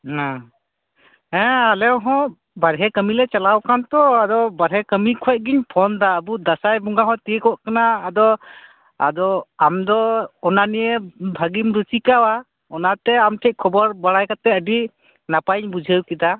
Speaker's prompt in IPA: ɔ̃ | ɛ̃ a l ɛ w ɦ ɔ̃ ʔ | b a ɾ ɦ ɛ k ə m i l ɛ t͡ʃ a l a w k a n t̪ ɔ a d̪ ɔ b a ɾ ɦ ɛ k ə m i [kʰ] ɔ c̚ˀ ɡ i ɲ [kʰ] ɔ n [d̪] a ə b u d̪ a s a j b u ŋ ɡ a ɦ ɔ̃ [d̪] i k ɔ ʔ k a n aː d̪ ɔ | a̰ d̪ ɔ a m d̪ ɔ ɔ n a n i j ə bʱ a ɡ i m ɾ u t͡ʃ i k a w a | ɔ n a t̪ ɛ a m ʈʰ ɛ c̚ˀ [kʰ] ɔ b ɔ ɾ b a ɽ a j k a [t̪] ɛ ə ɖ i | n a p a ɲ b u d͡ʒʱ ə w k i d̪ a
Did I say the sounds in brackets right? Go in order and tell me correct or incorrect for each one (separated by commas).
correct, incorrect, correct, incorrect, correct, correct